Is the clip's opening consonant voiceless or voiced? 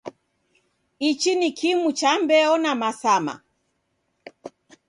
voiceless